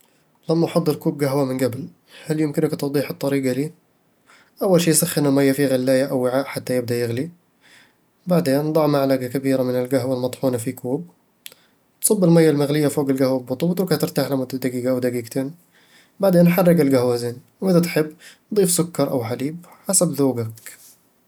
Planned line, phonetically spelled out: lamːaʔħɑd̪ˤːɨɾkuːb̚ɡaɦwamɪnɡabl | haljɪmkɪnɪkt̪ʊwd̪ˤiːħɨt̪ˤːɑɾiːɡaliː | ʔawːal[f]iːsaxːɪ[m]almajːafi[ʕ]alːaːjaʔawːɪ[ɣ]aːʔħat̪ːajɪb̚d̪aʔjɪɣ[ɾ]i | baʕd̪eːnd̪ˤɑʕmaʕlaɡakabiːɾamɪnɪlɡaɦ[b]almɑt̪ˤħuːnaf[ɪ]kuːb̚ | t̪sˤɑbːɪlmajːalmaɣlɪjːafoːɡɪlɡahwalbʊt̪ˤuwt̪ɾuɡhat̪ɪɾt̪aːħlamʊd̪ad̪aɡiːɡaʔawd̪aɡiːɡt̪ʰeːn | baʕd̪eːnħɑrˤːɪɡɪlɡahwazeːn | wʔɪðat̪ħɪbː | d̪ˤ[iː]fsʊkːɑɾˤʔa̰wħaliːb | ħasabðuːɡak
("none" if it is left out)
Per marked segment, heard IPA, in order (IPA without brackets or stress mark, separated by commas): ʃ, n, ɣ, ʕ, l, w, i, iː